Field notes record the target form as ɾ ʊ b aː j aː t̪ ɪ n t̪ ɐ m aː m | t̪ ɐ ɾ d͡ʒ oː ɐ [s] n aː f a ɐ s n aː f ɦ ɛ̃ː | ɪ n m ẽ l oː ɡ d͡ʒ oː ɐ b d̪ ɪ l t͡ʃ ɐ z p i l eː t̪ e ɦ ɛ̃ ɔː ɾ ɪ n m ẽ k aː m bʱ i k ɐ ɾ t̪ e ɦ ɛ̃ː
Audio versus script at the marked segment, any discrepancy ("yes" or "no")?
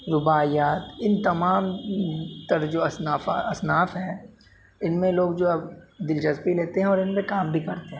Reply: no